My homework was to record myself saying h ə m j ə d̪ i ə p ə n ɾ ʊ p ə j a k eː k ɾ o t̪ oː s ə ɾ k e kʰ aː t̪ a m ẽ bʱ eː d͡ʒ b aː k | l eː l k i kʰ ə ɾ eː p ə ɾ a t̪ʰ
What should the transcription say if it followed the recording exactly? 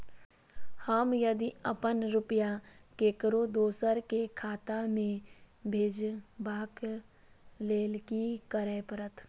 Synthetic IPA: h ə m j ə d̪ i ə p ə n ɾ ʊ p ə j a k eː k ɾ o d̪ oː s ə ɾ k e kʰ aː t̪ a m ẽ bʱ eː d͡ʒ b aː k | l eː l k i k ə ɾ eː p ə ɾ ə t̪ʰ